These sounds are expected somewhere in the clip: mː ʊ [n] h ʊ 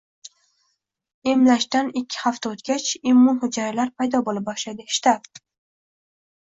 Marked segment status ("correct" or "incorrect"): correct